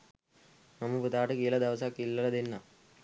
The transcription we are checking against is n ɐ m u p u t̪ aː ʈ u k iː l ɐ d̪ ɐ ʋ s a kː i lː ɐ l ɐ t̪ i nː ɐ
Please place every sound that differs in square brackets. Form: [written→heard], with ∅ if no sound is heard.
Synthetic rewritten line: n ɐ m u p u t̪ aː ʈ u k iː l ɐ d̪ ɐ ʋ s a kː i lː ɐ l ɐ [t̪→d̪] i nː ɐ